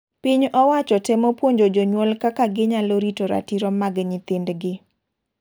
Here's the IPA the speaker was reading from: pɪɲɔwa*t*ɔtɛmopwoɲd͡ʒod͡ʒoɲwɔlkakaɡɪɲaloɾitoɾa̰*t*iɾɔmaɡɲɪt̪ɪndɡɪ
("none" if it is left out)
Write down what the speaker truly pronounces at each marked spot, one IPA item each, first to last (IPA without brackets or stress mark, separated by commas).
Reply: t͡ʃ, t